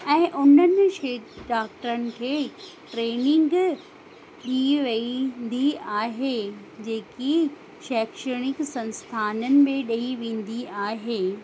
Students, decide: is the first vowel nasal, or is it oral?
nasal